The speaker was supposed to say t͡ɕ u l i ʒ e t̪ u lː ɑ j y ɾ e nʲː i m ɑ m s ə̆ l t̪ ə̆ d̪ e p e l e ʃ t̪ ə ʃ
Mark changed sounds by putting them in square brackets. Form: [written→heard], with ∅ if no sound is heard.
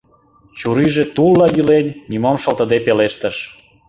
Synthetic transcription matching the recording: t͡ɕ u [l→ɾ] i ʒ e t̪ u lː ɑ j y [ɾ→l] e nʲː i m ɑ m [s→ʃ] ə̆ l t̪ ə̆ d̪ e p e l e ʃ t̪ ə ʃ